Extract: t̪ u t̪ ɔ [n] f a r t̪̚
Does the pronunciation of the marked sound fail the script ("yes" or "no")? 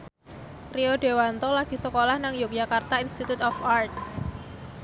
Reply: yes